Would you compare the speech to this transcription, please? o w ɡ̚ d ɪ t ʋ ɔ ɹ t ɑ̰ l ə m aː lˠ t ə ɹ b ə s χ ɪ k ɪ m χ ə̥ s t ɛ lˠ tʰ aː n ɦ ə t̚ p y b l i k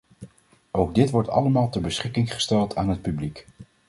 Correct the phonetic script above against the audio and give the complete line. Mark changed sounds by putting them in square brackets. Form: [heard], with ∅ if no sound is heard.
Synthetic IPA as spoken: o w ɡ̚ d ɪ t ʋ ɔ ɹ t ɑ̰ l ə m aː lˠ t ə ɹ b ə s χ ɪ k ɪ [ŋ] χ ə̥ s t ɛ lˠ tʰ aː n ɦ ə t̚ p y b l i k